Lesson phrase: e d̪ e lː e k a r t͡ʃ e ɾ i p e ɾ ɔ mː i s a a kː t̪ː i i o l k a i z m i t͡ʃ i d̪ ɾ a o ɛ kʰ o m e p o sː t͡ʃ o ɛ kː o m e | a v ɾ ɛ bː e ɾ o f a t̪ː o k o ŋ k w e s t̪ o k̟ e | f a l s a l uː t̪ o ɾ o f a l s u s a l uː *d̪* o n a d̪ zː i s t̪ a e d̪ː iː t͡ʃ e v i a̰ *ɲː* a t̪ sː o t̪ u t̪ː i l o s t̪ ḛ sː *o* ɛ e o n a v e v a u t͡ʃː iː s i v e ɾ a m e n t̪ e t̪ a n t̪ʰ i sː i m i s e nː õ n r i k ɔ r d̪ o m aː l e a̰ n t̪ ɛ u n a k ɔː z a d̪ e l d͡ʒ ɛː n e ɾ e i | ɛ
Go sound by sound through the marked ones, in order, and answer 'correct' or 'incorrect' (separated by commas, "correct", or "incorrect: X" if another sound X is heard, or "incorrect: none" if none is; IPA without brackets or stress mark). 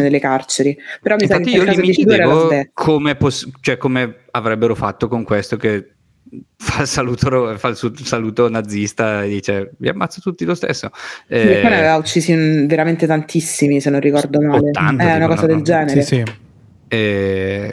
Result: incorrect: t̪, incorrect: mː, correct